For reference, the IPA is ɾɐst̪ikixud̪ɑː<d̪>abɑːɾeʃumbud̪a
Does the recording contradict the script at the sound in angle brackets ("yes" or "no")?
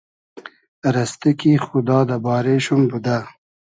no